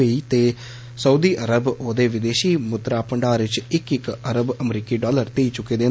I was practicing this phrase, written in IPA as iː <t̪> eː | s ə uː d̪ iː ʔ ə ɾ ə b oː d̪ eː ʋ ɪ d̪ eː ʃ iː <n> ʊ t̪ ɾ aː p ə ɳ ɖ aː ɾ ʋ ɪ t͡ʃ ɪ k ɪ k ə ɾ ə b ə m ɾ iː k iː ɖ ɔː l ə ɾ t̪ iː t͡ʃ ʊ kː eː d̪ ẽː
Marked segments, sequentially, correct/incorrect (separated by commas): correct, incorrect